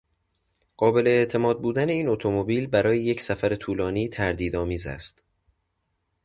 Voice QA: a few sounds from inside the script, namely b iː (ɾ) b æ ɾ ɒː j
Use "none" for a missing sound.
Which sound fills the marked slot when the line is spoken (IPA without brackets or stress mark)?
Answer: l